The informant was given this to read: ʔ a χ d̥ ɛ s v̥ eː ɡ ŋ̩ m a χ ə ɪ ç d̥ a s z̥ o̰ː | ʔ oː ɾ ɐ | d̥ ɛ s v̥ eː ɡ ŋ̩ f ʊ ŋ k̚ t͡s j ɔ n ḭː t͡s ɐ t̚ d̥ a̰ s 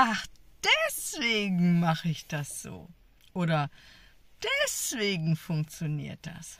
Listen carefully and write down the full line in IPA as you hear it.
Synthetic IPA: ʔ a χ d̥ ɛ s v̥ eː ɡ ŋ̩ m a χ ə ɪ ç d̥ a s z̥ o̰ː | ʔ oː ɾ ɐ | d̥ ɛ s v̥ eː ɡ ŋ̩ f ʊ ŋ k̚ t͡s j o n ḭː ɐ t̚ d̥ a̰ s

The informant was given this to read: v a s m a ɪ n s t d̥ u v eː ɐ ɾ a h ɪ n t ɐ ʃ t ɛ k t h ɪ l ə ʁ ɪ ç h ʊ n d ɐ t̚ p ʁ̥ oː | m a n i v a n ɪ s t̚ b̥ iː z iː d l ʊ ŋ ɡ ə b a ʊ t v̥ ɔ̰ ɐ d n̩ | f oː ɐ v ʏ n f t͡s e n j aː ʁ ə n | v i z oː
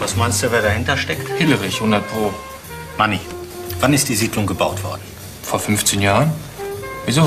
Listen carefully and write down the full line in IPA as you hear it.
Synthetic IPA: v a s m a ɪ n s t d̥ u v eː ɐ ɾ a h ɪ n t ɐ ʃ t ɛ k t h ɪ l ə ʁ ɪ ç h ʊ n d ɐ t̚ p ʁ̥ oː | m a n i v a n ɪ s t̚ d̥ iː z iː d l ʊ ŋ ɡ ə b a ʊ t v̥ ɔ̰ ɐ d n̩ | f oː ɐ f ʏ n f t͡s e n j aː ʁ ə n | v i z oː

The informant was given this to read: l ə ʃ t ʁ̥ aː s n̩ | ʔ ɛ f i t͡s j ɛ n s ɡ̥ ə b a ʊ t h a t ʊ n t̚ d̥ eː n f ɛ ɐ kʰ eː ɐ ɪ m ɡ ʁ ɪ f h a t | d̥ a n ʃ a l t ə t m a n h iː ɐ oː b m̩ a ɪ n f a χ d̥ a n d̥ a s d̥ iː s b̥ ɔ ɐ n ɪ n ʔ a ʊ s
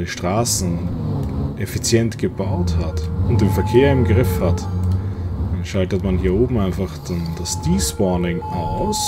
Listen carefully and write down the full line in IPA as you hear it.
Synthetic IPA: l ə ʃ t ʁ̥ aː s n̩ | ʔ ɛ f i t͡s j ɛ n t ɡ̥ ə b a ʊ t h a t ʊ n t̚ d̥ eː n f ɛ ɐ kʰ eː ɐ ɪ m ɡ ʁ ɪ f h a t | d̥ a n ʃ a l t ə t m a n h iː ɐ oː b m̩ a ɪ n f a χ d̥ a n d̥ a s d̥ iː s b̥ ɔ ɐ n ɪ ŋ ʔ a ʊ s

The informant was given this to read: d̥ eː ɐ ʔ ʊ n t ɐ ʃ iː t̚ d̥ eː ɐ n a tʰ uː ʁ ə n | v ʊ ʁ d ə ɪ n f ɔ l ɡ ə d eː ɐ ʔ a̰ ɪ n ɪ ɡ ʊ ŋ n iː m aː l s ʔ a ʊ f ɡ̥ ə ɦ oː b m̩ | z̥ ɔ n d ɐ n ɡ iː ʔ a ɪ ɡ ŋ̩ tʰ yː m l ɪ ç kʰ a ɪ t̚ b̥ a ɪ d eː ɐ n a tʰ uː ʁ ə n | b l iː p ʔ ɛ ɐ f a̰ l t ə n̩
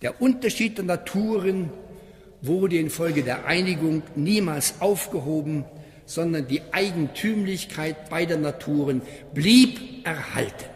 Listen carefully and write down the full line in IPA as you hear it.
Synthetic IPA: d̥ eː ɐ ʔ ʊ n t ɐ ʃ iː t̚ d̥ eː ɐ n a tʰ uː ʁ ə n | v ʊ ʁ d ə ɪ n f ɔ l ɡ ə d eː ɐ ʔ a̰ ɪ n ɪ ɡ ʊ ŋ n iː m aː l s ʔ a ʊ f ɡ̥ ə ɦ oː b m̩ | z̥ ɔ n d ɐ n d iː ʔ a ɪ ɡ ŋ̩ tʰ yː m l ɪ ç kʰ a ɪ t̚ b̥ a ɪ d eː ɐ n a tʰ uː ʁ ə n | b l iː p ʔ ɛ ɐ h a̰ l t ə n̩

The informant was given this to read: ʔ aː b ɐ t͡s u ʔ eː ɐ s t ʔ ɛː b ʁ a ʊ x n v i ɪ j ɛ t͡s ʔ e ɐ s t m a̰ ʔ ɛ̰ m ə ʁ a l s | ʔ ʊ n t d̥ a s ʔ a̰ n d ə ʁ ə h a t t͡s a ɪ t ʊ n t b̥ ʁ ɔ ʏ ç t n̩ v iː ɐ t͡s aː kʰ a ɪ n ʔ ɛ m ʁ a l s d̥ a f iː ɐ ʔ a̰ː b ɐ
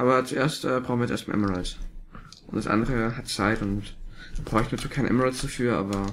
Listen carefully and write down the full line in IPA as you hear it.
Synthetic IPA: ʔ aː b ɐ t͡s u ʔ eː ɐ s t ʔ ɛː b ʁ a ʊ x n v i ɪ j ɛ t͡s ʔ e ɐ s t m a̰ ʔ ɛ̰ m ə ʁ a l s | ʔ ʊ n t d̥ a s ʔ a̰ n d ə ʁ ə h a t t͡s a ɪ t ʊ n t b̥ ʁ ɔ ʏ ç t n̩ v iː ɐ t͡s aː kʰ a ɪ n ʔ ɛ m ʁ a l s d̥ a f yː ɐ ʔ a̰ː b ɐ

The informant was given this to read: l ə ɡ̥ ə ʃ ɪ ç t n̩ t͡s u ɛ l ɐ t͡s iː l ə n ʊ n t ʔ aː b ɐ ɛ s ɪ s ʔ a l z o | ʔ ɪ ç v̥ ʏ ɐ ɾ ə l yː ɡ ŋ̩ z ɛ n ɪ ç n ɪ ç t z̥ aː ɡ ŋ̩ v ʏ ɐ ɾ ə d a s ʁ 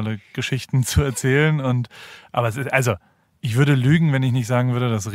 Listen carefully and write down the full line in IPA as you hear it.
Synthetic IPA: l ə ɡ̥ ə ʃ ɪ ç t n̩ t͡s u ɛ ɐ t͡s ɛː l ə n ʊ n t ʔ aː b ɐ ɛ s ɪ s ʔ a l z o | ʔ ɪ ç v̥ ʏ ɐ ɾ ə l yː ɡ ŋ̩ v ɛ n ɪ ç n ɪ ç t z̥ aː ɡ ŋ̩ v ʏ ɐ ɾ ə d a s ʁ

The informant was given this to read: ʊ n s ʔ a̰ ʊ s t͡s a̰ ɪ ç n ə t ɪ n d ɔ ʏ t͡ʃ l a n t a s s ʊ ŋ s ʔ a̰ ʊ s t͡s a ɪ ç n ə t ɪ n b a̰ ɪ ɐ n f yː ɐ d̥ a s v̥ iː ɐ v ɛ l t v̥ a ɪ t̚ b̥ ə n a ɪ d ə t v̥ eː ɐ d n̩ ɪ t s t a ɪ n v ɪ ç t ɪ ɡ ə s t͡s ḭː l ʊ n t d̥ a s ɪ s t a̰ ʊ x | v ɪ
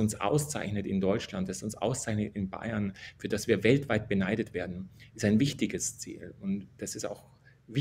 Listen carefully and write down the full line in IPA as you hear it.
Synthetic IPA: ʊ n s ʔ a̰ ʊ s t͡s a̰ ɪ ç n ə t ɪ n d ɔ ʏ t͡ʃ l a n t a s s ʊ n s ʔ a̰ ʊ s t͡s a ɪ ç n ə t ɪ n b a̰ ɪ ɐ n f yː ɐ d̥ a s v̥ iː ɐ v ɛ l t v̥ a ɪ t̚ b̥ ə n a ɪ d ə t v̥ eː ɐ d n̩ ɪ s t a ɪ n v ɪ ç t ɪ ɡ ə s t͡s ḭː l ʊ n t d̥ a s ɪ s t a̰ ʊ x | v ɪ

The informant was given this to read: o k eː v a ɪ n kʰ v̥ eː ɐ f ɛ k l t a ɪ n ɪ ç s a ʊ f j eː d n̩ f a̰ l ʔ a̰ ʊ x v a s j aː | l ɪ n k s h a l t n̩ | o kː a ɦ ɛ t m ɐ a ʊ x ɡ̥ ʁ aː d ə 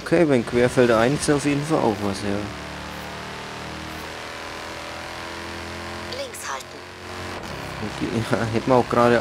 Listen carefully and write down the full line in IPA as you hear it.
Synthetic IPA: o kʰ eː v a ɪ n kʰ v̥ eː ɐ f ɛ l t a ɪ n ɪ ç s a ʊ f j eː d n̩ f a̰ l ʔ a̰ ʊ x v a s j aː | l ɪ ŋ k s h a l t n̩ | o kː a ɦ ɛ t m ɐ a ʊ x ɡ̥ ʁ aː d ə

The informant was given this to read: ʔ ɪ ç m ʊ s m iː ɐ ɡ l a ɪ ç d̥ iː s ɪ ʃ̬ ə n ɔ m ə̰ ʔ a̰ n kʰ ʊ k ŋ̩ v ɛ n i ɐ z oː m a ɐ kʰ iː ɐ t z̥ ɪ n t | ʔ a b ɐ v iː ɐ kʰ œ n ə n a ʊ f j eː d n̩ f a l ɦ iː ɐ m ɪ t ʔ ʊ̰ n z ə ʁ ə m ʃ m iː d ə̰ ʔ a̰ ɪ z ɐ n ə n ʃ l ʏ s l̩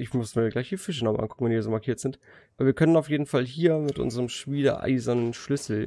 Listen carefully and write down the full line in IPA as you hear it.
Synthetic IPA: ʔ ɪ ç m ʊ s m iː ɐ ɡ l a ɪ ç d̥ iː f ɪ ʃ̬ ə n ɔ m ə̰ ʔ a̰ n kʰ ʊ k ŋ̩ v ɛ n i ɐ z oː m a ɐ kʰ iː ɐ t z̥ ɪ n t | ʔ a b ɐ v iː ɐ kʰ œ n ə n a ʊ f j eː d n̩ f a l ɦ iː ɐ m ɪ t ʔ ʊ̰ n z ə ʁ ə m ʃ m iː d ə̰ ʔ a̰ ɪ z ɐ n ə n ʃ l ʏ s l̩

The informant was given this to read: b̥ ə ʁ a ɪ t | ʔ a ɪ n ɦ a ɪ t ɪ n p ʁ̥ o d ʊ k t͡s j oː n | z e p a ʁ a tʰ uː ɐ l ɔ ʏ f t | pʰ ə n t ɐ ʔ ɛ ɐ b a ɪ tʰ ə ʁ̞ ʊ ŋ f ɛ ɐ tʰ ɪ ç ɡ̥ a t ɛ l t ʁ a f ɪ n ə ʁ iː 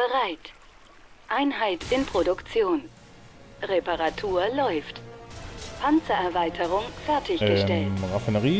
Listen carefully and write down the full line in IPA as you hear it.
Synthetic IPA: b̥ ə ʁ a ɪ t | ʔ a ɪ n ɦ a ɪ t ɪ n p ʁ̥ o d ʊ k t͡s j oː n | ʁ e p a ʁ a tʰ uː ɐ l ɔ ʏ f t | pʰ a n t͡s ɐ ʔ ɛ ɐ v a ɪ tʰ ə ʁ̞ ʊ ŋ f ɛ ɐ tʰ ɪ ç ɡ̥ ə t ɛ l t ʁ a f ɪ n ə ʁ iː

